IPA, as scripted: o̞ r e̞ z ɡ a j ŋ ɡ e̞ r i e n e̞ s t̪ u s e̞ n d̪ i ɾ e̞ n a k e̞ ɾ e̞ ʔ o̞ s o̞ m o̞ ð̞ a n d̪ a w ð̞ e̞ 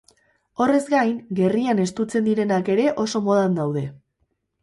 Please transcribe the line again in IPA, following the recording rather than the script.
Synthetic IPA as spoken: o̞ r e̞ z ɡ a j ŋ ɡ e̞ r i a n e̞ s t̪ u t͡s e̞ n d̪ i ɾ e̞ n a k e̞ ɾ e̞ ʔ o̞ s o̞ m o̞ ð̞ a n d̪ a w ð̞ e̞